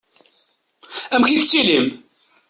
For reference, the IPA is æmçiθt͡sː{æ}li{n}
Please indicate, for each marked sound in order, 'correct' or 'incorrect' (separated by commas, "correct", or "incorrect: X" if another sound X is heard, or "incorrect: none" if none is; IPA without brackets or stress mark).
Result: incorrect: i, incorrect: m